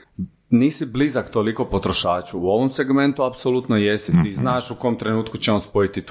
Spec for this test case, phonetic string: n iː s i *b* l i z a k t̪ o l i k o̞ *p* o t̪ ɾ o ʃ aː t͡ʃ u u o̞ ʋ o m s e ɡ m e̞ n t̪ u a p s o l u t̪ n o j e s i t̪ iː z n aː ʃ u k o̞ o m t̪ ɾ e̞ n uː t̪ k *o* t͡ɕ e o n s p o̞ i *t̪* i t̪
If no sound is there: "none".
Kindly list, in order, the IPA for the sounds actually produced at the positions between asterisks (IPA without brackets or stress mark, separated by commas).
b, p, u, t̪